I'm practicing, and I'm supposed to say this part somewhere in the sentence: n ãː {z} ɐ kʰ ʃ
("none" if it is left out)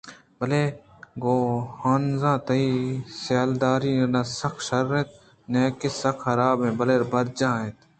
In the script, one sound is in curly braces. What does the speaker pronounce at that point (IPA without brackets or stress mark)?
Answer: s